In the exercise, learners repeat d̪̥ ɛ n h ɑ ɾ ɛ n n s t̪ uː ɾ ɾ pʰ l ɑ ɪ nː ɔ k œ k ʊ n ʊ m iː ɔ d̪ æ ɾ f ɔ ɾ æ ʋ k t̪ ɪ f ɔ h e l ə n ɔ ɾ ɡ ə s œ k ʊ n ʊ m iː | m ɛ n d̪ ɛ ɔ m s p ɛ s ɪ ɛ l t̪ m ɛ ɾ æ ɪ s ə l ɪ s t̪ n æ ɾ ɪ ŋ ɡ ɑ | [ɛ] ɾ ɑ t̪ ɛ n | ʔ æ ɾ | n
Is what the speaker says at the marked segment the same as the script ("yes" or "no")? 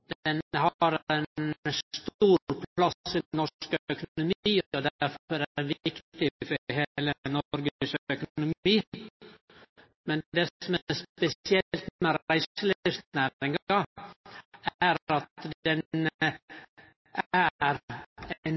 no